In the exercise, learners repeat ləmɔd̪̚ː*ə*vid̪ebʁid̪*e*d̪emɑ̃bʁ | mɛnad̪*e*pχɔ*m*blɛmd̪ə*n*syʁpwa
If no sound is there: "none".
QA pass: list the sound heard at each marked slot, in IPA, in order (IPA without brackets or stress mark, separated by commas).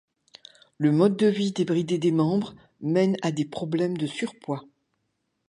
ə, e, e, none, none